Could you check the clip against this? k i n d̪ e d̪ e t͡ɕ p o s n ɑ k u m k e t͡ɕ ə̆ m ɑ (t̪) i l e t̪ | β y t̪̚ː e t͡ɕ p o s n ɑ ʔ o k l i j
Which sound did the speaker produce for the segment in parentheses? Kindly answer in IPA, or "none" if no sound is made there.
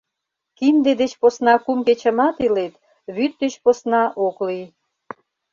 t̪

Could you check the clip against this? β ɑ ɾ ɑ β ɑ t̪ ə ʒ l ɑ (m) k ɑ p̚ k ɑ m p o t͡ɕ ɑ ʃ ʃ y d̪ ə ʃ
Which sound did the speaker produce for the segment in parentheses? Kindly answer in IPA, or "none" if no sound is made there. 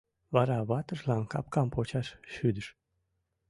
n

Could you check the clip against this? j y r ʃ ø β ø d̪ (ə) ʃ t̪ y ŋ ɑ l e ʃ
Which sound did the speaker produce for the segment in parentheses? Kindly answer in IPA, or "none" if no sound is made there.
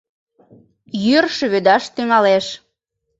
ɑ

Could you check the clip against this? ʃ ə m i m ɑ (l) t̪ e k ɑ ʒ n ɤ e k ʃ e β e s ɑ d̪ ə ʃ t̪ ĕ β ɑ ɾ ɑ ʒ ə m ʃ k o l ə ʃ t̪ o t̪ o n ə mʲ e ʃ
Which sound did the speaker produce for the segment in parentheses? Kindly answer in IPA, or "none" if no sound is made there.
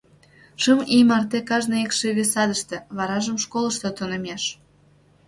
r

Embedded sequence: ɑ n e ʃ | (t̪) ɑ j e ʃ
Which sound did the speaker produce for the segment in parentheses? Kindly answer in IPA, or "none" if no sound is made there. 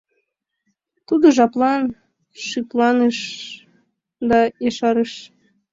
d̪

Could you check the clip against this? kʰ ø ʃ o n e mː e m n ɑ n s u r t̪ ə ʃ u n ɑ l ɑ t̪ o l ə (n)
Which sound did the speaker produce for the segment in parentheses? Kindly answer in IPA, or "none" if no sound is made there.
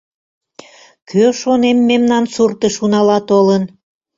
n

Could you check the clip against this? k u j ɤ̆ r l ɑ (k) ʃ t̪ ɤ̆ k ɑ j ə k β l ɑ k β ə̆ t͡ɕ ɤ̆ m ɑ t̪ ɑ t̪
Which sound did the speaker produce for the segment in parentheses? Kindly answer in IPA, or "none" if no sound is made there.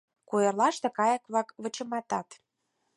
none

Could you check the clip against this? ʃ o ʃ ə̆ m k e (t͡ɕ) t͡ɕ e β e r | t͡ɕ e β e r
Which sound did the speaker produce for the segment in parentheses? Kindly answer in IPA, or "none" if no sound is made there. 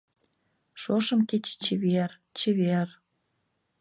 t͡ɕ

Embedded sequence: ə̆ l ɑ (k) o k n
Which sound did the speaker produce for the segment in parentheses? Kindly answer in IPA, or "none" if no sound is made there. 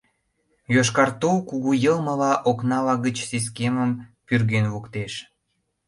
ʔ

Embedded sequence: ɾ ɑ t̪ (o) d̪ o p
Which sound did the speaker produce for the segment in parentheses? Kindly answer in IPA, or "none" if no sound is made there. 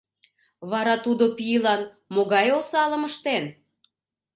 u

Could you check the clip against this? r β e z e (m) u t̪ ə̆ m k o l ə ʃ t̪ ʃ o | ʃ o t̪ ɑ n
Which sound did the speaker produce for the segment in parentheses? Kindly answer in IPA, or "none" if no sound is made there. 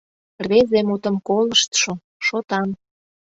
m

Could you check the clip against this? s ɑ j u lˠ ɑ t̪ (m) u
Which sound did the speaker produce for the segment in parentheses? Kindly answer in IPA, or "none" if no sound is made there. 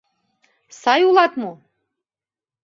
m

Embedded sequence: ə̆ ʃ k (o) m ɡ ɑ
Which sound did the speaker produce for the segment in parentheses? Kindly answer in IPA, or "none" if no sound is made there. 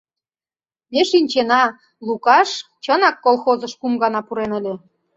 u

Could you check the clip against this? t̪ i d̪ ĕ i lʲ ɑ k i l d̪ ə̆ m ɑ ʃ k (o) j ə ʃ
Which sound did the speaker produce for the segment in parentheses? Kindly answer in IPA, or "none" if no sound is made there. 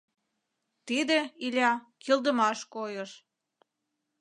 o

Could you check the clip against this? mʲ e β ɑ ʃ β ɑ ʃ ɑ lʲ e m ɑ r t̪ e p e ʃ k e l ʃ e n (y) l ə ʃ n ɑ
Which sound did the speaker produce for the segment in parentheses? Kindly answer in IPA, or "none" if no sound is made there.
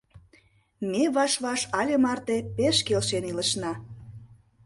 i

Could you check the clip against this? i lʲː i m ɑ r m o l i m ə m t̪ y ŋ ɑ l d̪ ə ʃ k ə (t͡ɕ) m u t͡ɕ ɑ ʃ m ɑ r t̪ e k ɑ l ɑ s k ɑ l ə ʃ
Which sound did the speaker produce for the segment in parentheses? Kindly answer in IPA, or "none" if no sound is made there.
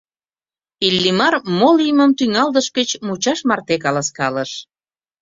t͡ɕ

